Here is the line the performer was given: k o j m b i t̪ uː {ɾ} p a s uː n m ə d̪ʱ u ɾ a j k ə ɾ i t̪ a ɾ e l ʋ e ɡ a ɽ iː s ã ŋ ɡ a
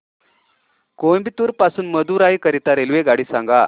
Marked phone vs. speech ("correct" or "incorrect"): correct